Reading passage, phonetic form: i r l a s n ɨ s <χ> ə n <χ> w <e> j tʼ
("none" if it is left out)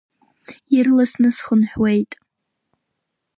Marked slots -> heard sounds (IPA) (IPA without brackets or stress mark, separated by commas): χ, ħ, e